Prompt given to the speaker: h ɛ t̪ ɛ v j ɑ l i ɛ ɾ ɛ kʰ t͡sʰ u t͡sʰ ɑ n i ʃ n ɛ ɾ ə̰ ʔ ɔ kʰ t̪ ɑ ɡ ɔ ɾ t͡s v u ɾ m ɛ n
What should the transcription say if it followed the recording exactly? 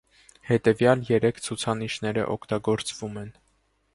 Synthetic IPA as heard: h ɛ t̪ ɛ v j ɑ l j ɛ ɾ ɛ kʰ t͡sʰ u t͡sʰ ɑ n i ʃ n ɛ ɾ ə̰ ʔ ɔ kʰ t̪ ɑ ɡ ɔ ɾ t͡s v u m ɛ n